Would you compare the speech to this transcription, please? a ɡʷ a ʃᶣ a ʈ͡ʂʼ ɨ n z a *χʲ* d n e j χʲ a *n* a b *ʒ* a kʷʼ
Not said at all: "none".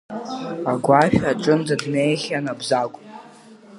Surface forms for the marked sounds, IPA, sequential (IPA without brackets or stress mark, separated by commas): none, n, z